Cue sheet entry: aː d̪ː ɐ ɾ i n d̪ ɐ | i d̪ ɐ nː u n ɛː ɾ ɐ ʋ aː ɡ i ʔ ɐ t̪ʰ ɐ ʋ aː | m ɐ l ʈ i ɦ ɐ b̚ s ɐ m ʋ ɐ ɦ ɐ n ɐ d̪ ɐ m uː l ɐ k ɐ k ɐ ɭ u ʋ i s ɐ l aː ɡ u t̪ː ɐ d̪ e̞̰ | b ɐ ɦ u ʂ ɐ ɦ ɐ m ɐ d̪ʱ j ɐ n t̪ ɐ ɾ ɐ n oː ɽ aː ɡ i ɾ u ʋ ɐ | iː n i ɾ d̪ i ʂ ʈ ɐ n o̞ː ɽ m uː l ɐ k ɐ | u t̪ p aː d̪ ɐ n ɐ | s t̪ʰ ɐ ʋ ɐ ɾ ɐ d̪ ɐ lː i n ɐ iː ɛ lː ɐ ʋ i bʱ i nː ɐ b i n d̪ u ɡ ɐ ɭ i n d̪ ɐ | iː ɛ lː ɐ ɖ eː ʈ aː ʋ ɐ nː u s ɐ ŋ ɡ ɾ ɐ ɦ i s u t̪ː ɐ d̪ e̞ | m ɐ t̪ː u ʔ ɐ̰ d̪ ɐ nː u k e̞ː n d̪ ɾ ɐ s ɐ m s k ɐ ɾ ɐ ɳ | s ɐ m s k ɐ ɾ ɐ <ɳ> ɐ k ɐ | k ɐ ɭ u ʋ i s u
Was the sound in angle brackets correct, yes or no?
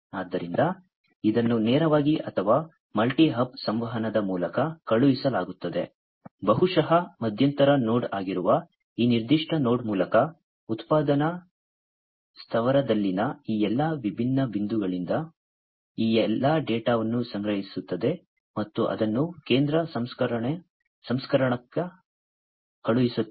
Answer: yes